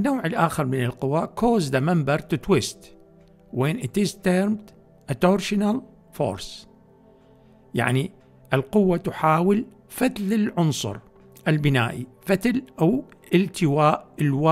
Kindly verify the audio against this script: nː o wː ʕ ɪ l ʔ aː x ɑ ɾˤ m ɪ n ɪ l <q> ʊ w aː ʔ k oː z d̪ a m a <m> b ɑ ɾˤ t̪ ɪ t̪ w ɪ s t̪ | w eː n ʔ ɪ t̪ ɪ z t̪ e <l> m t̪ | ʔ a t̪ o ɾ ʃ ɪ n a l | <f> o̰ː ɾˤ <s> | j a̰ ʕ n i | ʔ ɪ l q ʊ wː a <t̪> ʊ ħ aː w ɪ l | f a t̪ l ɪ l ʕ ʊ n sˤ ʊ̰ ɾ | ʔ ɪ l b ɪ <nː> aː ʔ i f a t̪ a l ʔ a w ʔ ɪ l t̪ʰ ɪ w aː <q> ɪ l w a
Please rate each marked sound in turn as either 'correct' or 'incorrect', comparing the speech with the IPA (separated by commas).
correct, correct, incorrect, correct, correct, correct, incorrect, incorrect